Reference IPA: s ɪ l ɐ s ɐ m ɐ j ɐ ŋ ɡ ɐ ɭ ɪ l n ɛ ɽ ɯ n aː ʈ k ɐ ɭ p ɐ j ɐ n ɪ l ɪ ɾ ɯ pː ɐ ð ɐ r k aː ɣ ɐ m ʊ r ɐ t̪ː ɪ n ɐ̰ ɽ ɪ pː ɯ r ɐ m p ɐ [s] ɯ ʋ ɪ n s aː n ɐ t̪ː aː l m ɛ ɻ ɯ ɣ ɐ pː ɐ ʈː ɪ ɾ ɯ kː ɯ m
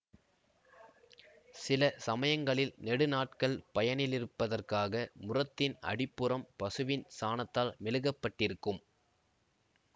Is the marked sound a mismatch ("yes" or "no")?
no